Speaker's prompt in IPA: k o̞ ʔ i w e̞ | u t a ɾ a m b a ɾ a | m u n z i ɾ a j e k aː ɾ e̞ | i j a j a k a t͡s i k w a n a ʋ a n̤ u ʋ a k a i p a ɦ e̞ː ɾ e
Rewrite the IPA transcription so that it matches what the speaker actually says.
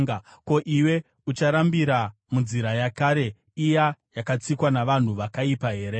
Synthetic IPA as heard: k o̞ ʔ i w e̞ | u t͡ʃ a ɾ a m b i ɾ a | m u n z i ɾ a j a k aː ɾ e̞ | i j a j a k a t͡s i k w a n a ʋ a n̤ u ʋ a k a i p a ɦ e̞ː ɾ e

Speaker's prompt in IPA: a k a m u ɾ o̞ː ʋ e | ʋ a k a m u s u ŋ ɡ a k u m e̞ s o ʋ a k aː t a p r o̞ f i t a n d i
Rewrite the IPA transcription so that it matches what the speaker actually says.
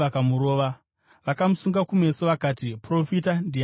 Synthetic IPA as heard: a k a m u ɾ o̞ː ʋ a | ʋ a k a m u s u ŋ ɡ a k u m e̞ s o ʋ a k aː t i p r o̞ f i t a n d i

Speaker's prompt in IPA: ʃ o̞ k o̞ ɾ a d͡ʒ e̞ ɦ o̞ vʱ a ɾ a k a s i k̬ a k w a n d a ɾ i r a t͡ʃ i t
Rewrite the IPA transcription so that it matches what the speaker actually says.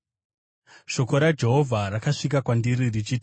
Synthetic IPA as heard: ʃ o̞ k o̞ ɾ a d͡ʒ e̞ ɦ o̞ vʱ a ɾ a k a ʂ i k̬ a k w a n d i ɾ i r i t͡ʃ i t

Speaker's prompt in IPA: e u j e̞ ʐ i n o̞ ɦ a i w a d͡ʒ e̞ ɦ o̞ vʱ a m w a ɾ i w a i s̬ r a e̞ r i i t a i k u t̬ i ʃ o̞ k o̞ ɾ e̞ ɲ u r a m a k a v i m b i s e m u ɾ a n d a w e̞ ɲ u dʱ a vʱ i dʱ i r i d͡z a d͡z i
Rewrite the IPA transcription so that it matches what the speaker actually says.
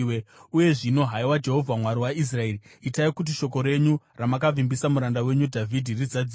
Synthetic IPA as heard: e u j e̞ ʐ i n o̞ ɦ a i w a d͡ʒ e̞ ɦ o̞ vʱ a m w a ɾ i w a i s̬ r a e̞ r i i t a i k u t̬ i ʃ o̞ k o̞ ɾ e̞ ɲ u r a m a k a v i m b i s a m u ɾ a n d a w e̞ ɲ u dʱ a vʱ i dʱ i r i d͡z a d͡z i

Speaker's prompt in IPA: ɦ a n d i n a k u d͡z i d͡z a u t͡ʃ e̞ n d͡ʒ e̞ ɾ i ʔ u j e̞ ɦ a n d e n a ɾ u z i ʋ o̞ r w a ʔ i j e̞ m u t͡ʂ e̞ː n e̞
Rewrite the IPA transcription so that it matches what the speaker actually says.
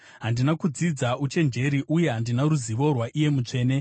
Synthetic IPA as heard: ɦ a n d i n a k u d͡z i d͡z a u t͡ʃ e̞ n d͡ʒ e̞ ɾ i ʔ u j e̞ ɦ a n d i n a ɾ u z i ʋ o̞ r w a ʔ i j e̞ m u t͡ʂ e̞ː n e̞

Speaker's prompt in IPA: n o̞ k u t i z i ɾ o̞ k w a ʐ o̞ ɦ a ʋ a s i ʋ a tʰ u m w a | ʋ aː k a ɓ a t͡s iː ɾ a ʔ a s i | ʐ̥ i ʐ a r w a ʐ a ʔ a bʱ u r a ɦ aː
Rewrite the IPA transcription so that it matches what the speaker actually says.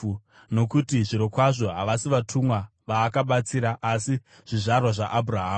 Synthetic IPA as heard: n o̞ k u t i ʐ i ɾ o̞ k w a ʐ o̞ ɦ a ʋ a s i ʋ a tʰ u m w a | ʋ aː k a ɓ a t͡s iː ɾ a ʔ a s i | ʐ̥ i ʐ a r w a ʐ a ʔ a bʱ u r a ɦ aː

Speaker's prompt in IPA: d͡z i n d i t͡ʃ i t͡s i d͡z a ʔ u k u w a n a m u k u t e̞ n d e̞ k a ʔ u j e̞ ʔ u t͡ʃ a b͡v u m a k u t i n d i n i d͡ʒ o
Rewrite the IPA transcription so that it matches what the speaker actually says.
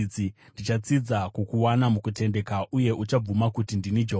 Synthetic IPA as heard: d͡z i n d i t͡ʃ a t͡s i d͡z a k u k u w a n a m u k u t e̞ n d e̞ k a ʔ u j e̞ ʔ u t͡ʃ a b͡v u m a k u t i n d i n i d͡ʒ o

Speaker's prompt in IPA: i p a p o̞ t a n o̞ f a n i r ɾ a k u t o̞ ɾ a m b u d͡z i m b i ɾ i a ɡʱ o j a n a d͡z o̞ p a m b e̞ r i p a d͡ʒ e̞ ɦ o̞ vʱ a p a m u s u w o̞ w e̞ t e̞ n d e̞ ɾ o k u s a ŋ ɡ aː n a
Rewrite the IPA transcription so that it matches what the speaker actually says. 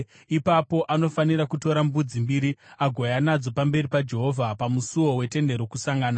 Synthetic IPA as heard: i p a p o̞ ʔ a n o̞ f a n i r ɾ a k u t o̞ ɾ a m b u d͡z i m b i ɾ i a ɡʱ o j a n a d͡z o̞ p a m b e̞ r i p a d͡ʒ e̞ ɦ o̞ vʱ a p a m u s u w o̞ w e̞ t e̞ n d e̞ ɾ o k u s a ŋ ɡ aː n a

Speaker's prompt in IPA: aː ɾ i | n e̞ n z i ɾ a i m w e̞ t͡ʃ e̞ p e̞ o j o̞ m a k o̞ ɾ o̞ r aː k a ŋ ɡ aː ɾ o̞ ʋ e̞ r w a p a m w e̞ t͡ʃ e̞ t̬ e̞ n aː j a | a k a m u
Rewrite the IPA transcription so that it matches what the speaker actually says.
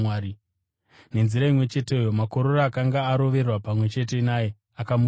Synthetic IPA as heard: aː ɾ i | n e̞ n z i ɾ a i m w e̞ t͡ʃ e̞ t e̞ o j o̞ m a k o̞ ɾ o̞ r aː k a ŋ ɡ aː ɾ o̞ ʋ e̞ r w a p a m w e̞ t͡ʃ e̞ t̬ e̞ n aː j e | a k a m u

